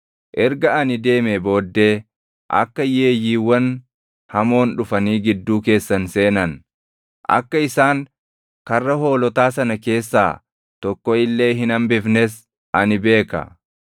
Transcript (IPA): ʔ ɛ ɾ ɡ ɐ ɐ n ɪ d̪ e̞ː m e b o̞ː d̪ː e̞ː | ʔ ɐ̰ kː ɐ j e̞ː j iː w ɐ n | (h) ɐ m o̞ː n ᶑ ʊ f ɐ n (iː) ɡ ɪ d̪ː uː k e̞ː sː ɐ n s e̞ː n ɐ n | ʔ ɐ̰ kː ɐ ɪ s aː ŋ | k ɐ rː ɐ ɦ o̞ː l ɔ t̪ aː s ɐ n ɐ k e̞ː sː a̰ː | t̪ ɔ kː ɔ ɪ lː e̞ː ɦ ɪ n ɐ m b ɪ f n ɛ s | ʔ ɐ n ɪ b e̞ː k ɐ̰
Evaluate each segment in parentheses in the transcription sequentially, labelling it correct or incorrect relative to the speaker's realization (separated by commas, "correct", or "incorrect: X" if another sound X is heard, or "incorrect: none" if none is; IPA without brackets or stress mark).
correct, correct